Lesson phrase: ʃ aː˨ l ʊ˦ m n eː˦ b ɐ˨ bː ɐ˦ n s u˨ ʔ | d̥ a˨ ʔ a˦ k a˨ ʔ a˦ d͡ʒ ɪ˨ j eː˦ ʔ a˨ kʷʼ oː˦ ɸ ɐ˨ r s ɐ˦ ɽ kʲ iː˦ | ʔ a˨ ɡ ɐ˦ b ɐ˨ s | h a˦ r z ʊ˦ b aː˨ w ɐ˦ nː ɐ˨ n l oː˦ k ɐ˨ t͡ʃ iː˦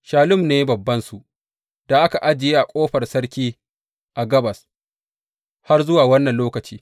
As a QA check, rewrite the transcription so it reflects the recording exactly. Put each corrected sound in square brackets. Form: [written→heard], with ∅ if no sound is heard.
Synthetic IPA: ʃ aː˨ l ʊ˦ m n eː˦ b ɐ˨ bː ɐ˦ n s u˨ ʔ | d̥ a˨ ʔ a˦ k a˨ ʔ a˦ d͡ʒ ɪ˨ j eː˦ ʔ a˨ kʷʼ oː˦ ɸ ɐ˨ r s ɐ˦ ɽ kʲ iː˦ | ʔ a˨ ɡ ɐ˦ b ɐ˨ s | h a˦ r z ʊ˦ [b→w] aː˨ w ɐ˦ nː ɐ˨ n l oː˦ k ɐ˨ t͡ʃ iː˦